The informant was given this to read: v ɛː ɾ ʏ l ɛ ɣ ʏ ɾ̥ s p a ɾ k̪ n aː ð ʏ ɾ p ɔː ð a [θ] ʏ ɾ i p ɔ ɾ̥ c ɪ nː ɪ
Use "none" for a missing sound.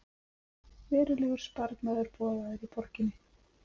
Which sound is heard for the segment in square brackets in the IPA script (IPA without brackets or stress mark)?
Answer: ð